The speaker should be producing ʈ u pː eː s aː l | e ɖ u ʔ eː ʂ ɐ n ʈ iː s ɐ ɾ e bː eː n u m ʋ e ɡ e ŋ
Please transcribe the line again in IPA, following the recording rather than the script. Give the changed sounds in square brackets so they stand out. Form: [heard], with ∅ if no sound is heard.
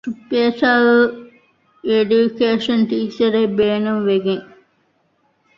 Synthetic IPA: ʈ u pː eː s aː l | e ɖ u [k] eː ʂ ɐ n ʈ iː s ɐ ɾ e [b] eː n u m ʋ e ɡ e ŋ